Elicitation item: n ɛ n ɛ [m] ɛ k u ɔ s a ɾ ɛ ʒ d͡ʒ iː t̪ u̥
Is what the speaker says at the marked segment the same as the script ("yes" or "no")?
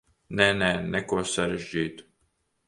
no